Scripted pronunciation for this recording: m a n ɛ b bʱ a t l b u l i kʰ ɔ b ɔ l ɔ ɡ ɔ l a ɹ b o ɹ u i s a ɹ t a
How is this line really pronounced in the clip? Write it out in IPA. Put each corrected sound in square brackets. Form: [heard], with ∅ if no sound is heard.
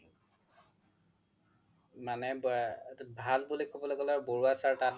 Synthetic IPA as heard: m a n ɛ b bʱ a [∅] l b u l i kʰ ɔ b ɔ l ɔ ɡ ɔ l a ɹ b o ɹ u [a] s a ɹ t a